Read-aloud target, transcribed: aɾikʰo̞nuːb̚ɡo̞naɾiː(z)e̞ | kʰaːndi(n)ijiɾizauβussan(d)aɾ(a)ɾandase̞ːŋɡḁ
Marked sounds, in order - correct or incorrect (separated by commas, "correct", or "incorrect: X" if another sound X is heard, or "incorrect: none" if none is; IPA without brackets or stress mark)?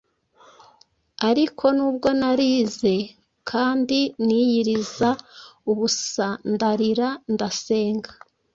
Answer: correct, correct, correct, incorrect: i